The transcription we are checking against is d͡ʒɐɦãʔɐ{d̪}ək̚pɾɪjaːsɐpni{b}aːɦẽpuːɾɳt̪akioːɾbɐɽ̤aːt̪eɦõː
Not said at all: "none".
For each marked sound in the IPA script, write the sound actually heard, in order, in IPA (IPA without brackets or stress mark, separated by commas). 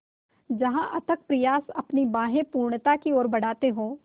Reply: t̪, b